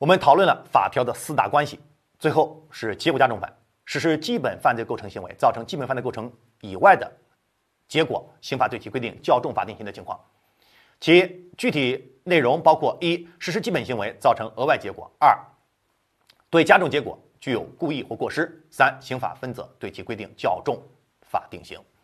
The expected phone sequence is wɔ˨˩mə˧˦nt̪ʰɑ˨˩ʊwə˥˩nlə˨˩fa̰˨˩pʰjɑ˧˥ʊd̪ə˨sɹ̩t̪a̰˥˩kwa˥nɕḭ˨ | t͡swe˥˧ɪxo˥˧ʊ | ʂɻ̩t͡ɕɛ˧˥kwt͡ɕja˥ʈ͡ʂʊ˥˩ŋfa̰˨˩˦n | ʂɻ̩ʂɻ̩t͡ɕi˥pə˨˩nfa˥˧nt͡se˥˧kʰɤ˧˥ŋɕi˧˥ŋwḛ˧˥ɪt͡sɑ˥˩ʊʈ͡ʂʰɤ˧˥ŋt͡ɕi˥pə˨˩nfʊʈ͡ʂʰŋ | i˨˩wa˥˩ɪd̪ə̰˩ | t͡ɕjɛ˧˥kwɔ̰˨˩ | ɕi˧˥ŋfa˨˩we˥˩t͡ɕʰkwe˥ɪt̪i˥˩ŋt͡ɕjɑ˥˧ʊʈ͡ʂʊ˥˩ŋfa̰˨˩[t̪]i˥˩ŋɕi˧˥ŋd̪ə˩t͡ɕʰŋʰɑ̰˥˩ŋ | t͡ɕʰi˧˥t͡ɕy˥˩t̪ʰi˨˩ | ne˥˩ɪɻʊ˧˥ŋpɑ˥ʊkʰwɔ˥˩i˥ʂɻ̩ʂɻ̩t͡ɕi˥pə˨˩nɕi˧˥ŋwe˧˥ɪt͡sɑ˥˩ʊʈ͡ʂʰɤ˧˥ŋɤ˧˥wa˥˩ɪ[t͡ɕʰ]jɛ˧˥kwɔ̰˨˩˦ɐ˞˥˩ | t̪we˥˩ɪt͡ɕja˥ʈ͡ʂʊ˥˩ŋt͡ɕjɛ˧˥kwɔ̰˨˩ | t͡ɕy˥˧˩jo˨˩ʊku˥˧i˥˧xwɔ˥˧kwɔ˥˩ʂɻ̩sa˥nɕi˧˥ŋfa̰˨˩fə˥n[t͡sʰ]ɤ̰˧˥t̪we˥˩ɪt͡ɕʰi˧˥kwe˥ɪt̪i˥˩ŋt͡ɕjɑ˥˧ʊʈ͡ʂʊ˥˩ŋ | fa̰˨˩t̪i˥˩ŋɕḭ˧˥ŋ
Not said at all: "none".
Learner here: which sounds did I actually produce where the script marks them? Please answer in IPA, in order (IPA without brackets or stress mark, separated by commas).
t̪, t͡ɕ, t͡s